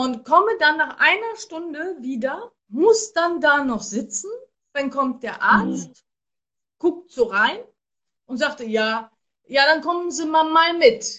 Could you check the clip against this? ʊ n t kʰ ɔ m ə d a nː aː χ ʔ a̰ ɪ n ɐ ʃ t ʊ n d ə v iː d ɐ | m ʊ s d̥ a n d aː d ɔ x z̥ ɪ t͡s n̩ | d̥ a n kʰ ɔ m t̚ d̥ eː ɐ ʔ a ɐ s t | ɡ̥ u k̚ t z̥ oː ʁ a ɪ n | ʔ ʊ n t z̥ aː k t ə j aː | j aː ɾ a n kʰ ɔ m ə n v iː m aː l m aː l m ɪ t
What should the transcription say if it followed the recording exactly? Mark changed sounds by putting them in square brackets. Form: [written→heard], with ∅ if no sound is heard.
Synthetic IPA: ʊ n t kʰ ɔ m ə d a nː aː χ ʔ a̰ ɪ n ɐ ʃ t ʊ n d ə v iː d ɐ | m ʊ s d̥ a n d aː [d→n] ɔ [x→χ] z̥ ɪ t͡s n̩ | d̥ a n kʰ ɔ m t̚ d̥ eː ɐ ʔ a ɐ [s→t͡s] t | ɡ̥ [u→ʊ] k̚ t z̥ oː ʁ a ɪ n | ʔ ʊ n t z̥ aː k t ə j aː | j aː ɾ a n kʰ ɔ m ə n [v→z] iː m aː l m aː l m ɪ t